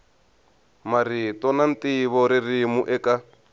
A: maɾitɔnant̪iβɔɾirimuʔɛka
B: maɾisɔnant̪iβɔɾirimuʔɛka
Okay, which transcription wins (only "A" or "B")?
A